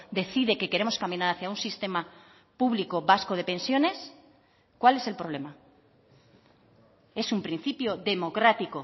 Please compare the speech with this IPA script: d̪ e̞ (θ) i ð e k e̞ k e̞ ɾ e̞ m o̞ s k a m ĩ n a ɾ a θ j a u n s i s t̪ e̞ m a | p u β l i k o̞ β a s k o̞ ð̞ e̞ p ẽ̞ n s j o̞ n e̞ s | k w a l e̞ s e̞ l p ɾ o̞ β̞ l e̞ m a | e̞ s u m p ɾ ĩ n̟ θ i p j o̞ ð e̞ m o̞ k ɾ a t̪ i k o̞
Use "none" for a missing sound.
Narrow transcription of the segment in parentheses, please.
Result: θ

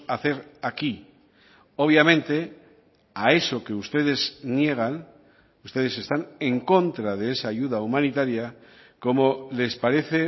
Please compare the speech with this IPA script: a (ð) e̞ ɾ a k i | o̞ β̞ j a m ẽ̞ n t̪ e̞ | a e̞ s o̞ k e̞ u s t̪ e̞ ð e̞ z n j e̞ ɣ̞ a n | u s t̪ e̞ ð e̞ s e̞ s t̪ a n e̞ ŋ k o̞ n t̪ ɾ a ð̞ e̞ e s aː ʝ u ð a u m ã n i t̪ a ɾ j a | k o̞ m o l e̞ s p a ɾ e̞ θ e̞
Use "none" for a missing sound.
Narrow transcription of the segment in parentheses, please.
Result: θ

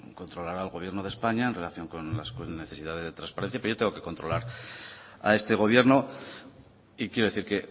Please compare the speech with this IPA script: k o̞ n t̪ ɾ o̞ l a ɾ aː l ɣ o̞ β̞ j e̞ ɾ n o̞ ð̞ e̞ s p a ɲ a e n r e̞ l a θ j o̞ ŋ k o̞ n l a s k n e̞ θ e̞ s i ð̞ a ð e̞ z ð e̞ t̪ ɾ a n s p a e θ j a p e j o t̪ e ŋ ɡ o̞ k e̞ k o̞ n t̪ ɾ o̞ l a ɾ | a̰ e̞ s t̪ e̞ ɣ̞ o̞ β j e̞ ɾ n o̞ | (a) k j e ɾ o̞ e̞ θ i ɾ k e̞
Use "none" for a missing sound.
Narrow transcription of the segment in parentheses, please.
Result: i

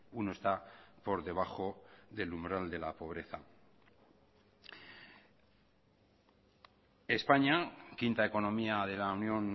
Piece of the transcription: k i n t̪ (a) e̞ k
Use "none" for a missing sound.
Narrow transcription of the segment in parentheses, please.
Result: a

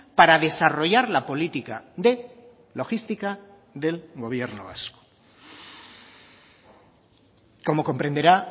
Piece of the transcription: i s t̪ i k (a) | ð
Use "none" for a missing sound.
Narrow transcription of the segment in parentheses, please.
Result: a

